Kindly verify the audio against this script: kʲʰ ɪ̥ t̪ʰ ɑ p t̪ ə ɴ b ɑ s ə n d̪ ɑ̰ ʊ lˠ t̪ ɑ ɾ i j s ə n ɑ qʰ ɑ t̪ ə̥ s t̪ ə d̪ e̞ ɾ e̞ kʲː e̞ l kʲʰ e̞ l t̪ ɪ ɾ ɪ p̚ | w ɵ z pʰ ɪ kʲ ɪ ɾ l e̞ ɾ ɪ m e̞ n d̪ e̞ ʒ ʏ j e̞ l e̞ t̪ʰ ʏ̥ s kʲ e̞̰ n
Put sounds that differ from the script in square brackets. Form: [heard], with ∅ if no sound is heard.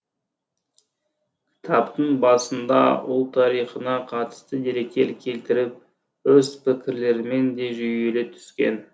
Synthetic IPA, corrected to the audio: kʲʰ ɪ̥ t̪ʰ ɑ p t̪ ə ɴ b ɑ s ə n d̪ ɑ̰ ʊ lˠ [t̪ʰ] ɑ ɾ i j [χ] ə n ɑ qʰ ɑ t̪ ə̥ s t̪ ə d̪ e̞ ɾ e̞ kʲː e̞ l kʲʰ e̞ l t̪ ɪ ɾ ɪ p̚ | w ɵ z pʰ ɪ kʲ ɪ ɾ l e̞ ɾ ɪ m e̞ n d̪ e̞ ʒ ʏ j e̞ l e̞ t̪ʰ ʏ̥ s kʲ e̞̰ n